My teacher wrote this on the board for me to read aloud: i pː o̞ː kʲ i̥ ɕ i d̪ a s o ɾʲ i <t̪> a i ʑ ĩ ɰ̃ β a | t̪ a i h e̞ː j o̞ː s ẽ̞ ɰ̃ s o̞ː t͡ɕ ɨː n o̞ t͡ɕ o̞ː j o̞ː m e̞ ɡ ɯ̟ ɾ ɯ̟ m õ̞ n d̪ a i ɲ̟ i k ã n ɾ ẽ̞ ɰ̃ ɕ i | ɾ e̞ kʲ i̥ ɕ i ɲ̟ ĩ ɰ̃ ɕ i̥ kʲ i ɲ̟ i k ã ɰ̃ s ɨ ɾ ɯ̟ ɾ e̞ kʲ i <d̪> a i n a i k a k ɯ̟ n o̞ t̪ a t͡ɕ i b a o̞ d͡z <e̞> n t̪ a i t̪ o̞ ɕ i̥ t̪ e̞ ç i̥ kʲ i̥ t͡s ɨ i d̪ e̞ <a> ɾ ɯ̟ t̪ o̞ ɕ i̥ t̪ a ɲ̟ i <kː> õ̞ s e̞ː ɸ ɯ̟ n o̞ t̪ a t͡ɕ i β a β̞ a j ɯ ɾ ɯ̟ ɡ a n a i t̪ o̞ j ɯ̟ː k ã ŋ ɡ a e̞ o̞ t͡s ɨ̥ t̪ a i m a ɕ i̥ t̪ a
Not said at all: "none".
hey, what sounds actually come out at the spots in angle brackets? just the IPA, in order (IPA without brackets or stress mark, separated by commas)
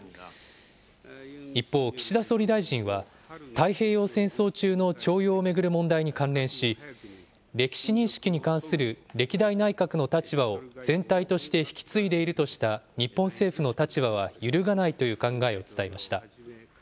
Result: d̪, d̪, ẽ̞, i, pː